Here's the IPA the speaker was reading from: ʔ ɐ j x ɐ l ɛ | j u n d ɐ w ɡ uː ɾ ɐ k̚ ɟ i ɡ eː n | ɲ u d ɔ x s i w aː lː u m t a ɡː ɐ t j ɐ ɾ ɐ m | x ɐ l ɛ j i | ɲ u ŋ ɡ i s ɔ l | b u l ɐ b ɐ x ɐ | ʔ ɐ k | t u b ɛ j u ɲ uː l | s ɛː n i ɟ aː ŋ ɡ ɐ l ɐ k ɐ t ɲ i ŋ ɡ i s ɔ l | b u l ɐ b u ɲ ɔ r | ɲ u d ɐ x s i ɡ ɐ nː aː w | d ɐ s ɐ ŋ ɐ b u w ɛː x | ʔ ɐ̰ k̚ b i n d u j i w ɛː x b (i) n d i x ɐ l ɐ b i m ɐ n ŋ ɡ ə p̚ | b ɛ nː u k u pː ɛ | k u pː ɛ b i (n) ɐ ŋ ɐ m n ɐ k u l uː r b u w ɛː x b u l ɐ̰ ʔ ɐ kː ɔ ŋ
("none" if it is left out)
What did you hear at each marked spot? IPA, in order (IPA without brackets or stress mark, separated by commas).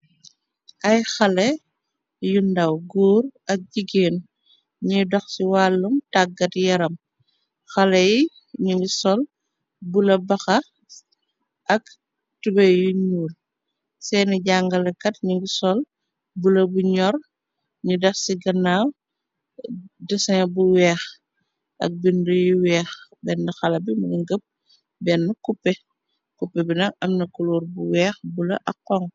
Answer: ɛ, n